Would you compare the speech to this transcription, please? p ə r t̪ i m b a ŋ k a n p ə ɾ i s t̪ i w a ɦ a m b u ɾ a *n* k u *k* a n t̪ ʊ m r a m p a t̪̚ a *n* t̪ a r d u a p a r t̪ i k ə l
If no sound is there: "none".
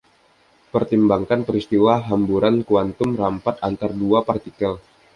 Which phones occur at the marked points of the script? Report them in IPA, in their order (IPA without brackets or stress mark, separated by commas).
n, none, n